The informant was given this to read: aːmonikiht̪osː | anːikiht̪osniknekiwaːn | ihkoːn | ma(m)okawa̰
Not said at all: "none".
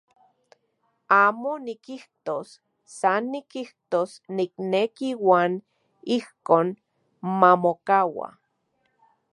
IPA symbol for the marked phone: m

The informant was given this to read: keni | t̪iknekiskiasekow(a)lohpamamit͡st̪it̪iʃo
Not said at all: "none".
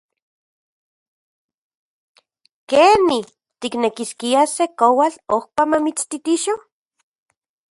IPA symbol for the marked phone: a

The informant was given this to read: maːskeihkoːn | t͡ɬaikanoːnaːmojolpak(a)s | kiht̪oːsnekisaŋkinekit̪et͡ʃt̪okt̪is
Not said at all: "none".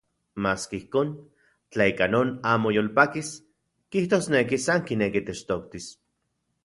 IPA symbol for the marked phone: i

